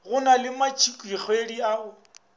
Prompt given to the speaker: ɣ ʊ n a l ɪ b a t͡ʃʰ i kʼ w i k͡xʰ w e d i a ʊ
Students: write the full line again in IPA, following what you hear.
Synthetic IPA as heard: ɣ ʊ n a l ɪ m a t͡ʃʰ i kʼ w i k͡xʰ w e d i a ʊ

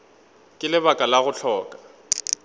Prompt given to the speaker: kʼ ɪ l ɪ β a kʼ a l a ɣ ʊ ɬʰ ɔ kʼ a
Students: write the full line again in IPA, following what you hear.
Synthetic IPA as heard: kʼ ɪ l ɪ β a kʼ a l a ɣ ʊ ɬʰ ɔː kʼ a

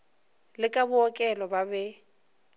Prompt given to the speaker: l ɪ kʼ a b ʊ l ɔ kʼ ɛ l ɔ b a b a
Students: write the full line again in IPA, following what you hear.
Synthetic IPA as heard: l ɪ kʼ a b ʊ ɔ kʼ ɛ l ɔ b a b ɛ

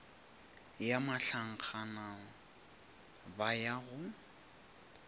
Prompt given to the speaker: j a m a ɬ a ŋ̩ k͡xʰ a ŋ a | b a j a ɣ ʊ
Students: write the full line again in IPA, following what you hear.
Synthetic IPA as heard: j a m a ɬ a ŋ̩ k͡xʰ a n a | b a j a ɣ ʊ

